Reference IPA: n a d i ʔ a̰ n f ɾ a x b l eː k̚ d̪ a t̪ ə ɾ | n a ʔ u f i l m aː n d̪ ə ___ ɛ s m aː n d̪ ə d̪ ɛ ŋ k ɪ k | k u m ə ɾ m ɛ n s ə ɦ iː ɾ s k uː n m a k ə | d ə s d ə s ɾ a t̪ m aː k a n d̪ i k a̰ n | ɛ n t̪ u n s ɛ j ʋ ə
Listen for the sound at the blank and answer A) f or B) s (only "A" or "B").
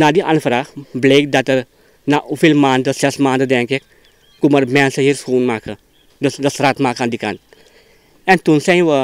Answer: B